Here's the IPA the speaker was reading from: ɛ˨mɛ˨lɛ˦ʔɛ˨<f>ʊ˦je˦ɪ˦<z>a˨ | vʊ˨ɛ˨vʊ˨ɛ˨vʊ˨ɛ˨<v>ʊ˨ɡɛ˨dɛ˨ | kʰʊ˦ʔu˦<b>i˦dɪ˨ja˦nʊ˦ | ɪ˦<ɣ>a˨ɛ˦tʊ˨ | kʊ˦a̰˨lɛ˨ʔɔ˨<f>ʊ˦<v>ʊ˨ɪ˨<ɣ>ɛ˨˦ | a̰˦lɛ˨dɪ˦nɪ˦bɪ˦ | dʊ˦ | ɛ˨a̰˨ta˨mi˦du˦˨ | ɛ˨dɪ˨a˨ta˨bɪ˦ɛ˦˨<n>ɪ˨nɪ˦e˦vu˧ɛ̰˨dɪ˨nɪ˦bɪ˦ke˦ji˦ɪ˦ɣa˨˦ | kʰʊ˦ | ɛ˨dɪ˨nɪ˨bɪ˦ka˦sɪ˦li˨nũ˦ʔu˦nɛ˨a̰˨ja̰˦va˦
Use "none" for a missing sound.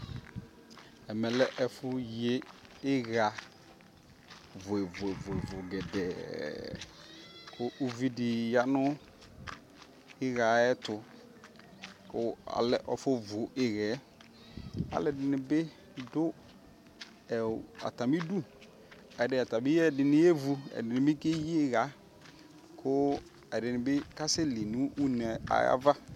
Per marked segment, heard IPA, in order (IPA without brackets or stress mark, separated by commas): f, ɣ, v, v, ɣ, f, v, ɣ, d